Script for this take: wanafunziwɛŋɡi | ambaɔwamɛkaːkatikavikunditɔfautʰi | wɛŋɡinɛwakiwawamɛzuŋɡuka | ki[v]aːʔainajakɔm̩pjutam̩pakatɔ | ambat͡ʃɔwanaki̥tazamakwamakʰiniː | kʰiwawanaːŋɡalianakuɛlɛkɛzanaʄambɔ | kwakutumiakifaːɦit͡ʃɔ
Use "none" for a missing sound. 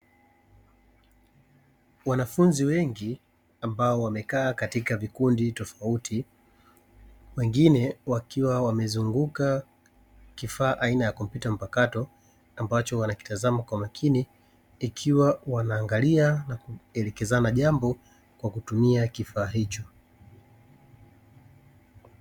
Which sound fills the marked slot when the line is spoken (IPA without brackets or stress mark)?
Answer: f